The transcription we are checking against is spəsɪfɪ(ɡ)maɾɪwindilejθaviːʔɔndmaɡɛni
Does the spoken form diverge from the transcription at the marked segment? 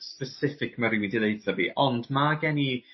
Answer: yes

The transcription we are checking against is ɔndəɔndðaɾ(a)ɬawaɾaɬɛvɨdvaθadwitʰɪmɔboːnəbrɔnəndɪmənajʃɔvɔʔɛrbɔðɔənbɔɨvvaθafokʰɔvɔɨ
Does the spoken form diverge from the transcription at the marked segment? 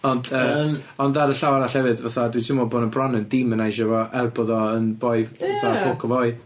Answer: yes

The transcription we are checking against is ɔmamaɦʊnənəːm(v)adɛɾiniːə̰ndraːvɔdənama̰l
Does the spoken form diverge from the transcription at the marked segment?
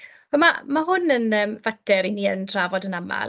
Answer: no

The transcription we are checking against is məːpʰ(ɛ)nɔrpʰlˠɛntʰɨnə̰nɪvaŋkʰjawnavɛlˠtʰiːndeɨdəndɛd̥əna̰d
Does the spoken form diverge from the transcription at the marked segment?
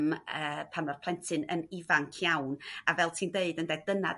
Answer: yes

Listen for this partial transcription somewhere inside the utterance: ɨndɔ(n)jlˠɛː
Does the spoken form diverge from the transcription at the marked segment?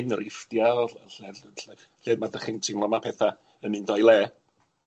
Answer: yes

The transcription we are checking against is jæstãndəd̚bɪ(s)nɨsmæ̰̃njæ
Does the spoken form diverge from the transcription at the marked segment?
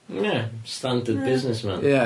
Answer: yes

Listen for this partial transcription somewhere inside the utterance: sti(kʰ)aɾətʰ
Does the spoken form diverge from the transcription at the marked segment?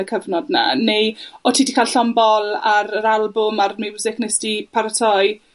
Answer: yes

